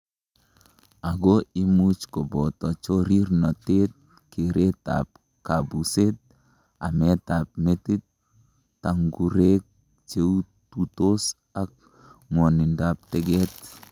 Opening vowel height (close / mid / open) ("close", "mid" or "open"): open